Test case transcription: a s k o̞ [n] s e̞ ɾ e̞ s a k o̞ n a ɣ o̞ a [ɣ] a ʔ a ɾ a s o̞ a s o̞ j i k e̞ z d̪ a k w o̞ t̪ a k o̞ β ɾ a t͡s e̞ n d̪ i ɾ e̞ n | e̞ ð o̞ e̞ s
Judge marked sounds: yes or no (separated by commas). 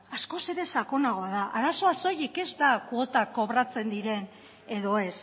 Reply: no, no